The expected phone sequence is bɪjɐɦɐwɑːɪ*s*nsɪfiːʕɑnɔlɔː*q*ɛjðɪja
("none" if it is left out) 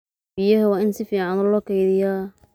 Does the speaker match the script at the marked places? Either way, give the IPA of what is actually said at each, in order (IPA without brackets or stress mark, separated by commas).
none, k